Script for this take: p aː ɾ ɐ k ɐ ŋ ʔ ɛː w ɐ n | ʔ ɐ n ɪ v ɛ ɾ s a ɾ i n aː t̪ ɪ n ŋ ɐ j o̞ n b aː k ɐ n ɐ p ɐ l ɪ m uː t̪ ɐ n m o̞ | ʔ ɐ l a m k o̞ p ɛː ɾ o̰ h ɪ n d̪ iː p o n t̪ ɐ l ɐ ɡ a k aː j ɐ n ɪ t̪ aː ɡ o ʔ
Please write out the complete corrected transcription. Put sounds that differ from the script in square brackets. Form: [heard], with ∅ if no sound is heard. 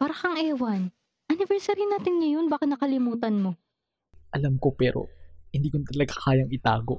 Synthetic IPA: p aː ɾ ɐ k ɐ ŋ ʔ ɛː w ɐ n | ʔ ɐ n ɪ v ɛ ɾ s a ɾ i n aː t̪ ɪ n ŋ ɐ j o̞ n b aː k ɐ n ɐ [k] ɐ l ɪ m uː t̪ ɐ n m o̞ | ʔ ɐ l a m k o̞ p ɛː ɾ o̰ h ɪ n d̪ iː [k] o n t̪ ɐ l ɐ ɡ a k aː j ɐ [ŋ] ɪ t̪ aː ɡ o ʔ